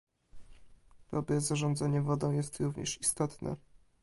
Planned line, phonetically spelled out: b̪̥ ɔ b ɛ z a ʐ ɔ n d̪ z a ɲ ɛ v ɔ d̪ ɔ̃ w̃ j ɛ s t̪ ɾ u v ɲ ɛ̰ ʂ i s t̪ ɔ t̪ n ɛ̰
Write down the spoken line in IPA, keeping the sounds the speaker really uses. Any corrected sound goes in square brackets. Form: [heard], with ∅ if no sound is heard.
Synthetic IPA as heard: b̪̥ ɔ b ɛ z a ʐ ɔ n d̪ z a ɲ ɛ v ɔ d̪ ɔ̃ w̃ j ɛ s t̪ ɾ u v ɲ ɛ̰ ʂ i s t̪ ɔ t̪ n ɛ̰